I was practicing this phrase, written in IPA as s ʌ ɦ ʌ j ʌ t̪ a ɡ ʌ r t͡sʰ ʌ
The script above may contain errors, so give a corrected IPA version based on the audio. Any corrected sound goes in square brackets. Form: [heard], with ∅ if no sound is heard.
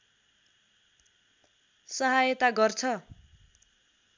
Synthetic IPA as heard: s ʌ ɦ [a] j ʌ t̪ a ɡ ʌ r t͡sʰ ʌ